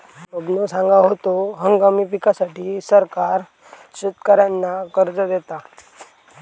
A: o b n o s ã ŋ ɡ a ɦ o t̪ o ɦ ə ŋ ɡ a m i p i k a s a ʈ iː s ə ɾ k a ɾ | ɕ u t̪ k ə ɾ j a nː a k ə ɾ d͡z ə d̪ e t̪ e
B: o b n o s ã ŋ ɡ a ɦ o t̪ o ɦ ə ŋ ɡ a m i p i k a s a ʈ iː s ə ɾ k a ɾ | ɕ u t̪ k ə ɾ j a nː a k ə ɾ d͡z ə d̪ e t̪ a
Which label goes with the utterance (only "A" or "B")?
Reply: B